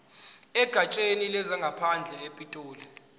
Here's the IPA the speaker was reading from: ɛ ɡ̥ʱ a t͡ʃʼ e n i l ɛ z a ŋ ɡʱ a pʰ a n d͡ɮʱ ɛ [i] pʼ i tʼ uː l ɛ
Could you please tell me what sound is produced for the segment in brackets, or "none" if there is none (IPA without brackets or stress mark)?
e